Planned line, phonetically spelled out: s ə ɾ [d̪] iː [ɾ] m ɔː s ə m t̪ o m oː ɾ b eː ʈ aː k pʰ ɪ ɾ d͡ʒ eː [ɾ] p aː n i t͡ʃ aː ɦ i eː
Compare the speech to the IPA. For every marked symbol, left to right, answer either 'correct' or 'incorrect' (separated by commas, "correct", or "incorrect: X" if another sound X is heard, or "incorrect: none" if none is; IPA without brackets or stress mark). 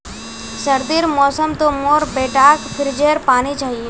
correct, correct, correct